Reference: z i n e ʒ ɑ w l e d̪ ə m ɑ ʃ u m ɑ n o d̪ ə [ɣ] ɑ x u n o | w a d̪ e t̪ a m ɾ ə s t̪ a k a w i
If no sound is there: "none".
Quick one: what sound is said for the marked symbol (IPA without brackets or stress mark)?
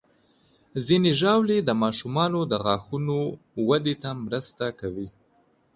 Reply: ɣ